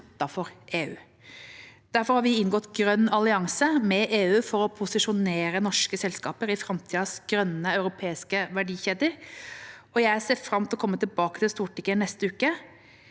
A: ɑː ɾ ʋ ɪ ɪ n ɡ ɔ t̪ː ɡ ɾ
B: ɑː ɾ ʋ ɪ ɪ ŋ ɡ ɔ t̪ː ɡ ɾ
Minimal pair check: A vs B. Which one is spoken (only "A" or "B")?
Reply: A